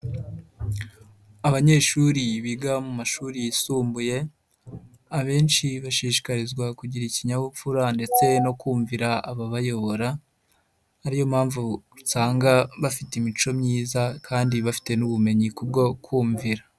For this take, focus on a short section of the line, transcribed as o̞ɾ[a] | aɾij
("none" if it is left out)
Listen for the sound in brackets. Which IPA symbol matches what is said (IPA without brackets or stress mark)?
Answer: a